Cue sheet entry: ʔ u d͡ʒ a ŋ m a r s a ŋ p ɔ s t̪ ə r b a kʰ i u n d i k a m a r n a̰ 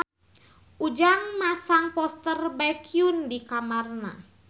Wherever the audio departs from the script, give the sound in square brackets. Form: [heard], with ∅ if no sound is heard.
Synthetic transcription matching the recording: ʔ u d͡ʒ a ŋ m a [∅] s a ŋ p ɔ s t̪ ə r b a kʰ i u n d i k a m a r n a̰